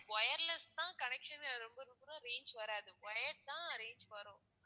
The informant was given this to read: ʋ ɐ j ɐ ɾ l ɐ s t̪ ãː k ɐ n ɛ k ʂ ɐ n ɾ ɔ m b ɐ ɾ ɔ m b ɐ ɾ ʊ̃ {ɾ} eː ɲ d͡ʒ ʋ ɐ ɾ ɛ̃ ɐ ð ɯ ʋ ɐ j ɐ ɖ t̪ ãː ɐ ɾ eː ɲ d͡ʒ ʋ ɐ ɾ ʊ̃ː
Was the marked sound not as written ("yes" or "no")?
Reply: no